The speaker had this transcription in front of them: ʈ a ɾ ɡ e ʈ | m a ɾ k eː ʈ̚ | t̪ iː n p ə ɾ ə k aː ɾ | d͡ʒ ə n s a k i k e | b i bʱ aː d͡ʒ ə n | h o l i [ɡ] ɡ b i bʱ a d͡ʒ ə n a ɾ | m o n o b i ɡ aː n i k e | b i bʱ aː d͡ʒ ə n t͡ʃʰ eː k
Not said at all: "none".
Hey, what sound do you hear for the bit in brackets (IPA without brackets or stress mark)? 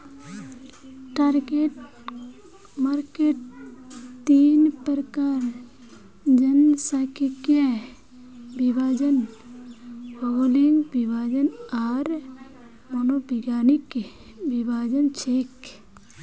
ŋ